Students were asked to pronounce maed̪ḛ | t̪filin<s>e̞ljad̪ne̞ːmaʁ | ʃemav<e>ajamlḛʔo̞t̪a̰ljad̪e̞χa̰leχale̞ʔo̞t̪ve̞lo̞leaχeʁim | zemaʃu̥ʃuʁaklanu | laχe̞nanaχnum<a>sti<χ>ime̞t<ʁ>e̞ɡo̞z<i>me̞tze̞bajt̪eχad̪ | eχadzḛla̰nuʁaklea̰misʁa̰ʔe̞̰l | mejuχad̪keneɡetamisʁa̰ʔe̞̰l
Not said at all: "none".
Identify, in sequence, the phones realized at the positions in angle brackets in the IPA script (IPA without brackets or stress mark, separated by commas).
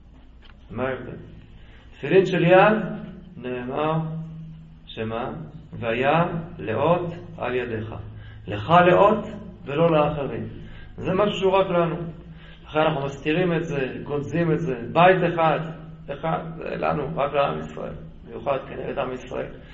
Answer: ʃ, e, a, ʁ, z, i